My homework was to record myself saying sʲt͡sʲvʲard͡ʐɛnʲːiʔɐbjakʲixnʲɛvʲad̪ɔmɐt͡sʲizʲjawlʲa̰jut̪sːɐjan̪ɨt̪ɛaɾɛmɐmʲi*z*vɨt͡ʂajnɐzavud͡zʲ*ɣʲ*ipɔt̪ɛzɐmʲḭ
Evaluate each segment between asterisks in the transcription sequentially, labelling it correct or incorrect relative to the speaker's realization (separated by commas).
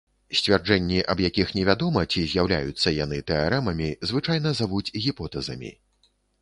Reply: correct, correct